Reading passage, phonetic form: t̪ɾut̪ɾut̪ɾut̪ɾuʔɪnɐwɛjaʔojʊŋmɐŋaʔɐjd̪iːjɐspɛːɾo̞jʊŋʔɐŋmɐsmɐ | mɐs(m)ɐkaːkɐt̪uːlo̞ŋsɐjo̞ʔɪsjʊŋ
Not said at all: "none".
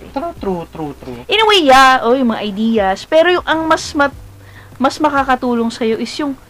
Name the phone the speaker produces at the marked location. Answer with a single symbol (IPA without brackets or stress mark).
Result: m